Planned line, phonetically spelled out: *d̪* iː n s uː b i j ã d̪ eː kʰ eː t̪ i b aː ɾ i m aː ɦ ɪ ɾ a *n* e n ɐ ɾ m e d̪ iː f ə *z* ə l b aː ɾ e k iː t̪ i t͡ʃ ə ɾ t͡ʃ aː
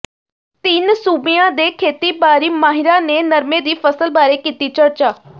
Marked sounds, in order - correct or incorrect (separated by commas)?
incorrect, correct, incorrect